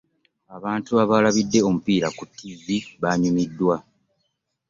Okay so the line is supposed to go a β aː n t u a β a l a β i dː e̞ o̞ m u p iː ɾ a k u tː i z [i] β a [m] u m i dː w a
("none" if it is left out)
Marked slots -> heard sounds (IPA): i, ɲ

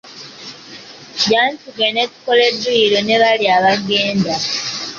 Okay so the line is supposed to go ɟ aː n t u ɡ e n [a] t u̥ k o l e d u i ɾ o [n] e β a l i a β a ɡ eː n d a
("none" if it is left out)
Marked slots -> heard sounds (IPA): e, n

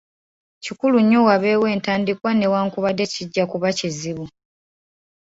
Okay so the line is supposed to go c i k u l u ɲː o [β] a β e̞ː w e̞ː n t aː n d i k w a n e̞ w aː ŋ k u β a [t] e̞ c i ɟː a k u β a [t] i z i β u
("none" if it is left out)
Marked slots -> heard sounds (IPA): w, d, c

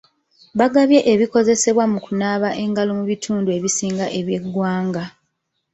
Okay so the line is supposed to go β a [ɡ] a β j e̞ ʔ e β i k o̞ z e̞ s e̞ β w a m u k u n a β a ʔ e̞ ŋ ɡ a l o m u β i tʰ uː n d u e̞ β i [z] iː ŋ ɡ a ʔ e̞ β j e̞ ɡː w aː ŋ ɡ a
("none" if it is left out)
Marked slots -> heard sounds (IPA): ɡ, s

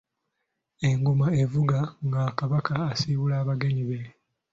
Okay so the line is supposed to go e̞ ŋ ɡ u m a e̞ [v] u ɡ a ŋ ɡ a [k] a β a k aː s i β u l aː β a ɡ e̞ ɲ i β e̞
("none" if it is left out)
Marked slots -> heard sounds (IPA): v, k

